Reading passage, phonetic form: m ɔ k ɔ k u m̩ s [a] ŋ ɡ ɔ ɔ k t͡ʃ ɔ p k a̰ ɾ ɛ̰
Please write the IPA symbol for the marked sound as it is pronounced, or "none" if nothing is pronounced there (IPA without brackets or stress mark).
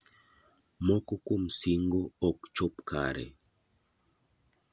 i